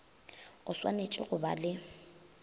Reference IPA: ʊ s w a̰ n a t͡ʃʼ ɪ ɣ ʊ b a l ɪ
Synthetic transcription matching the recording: ʊ s w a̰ n e t͡ʃʼ ɪ ɣ ʊ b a l ɪ